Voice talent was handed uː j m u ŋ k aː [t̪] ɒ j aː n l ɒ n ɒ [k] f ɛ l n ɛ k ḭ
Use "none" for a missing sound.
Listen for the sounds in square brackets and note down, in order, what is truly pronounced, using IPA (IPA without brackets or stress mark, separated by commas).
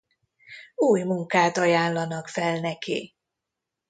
t̪, k